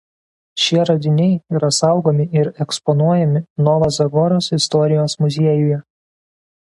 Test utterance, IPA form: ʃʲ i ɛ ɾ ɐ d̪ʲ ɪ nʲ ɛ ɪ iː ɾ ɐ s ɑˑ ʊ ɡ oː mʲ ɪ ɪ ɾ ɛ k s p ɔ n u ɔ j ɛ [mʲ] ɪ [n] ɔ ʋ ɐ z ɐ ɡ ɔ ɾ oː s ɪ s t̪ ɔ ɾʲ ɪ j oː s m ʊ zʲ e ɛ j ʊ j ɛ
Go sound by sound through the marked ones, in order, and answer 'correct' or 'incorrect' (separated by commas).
correct, correct